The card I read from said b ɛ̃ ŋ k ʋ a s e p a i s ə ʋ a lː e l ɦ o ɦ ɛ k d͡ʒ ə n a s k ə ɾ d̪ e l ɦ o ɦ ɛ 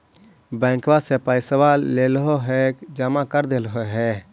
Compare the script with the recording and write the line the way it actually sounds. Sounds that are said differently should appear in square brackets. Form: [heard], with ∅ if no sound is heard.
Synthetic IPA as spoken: b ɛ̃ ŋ k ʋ a s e p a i s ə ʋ a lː e l ɦ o ɦ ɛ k d͡ʒ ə [m] a [∅] k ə ɾ d̪ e l ɦ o ɦ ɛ